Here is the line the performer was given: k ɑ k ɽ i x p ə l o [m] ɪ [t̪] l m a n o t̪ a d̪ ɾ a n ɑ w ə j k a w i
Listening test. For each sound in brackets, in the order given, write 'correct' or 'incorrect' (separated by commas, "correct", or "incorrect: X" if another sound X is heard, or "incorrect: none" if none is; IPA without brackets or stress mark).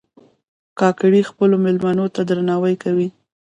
correct, incorrect: none